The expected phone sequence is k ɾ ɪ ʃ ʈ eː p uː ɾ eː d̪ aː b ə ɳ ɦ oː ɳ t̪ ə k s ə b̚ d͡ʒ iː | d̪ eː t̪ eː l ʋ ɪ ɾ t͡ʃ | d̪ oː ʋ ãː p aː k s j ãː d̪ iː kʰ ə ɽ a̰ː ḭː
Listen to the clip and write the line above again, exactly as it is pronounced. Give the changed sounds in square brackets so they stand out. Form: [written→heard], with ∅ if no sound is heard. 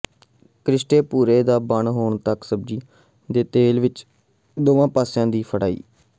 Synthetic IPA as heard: k ɾ ɪ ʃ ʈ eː p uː ɾ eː d̪ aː b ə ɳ ɦ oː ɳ t̪ ə k s ə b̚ d͡ʒ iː | d̪ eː t̪ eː l ʋ ɪ [ɾ→∅] t͡ʃ | d̪ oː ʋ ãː p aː [k→∅] s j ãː d̪ iː [kʰ→pʰ] ə ɽ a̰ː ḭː